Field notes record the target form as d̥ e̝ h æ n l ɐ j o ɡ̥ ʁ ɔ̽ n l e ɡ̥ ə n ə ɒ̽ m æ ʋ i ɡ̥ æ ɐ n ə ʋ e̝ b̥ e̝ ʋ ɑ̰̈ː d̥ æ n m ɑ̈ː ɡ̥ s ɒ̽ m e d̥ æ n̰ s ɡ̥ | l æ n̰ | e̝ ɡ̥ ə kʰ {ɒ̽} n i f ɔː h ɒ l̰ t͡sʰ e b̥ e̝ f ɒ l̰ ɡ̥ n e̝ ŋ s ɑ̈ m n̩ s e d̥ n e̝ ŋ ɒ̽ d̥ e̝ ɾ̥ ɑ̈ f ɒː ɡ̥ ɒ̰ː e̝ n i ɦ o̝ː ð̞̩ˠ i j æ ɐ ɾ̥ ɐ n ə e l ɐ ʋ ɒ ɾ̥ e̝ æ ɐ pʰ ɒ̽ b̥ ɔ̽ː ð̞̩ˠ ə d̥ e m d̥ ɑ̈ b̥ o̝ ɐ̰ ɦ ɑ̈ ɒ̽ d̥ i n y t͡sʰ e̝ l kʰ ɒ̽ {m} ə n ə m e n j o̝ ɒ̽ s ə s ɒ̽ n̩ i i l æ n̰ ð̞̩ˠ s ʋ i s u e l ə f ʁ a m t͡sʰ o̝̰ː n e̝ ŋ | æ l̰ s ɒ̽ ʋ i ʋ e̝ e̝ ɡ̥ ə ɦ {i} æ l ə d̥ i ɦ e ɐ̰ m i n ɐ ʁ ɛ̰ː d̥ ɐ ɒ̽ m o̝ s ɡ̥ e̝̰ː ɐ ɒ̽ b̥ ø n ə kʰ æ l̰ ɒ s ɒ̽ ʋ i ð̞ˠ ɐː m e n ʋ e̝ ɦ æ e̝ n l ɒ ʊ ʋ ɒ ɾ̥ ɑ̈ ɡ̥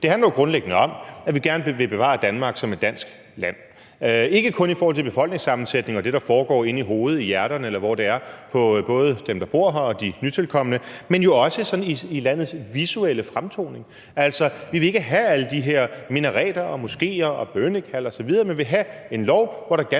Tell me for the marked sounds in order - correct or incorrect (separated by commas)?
incorrect, correct, incorrect